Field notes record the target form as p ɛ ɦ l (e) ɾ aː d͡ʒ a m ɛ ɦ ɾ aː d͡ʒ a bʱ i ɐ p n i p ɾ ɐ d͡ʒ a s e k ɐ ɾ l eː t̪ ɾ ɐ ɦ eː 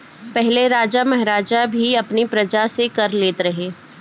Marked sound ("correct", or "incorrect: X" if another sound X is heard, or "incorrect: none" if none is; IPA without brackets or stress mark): correct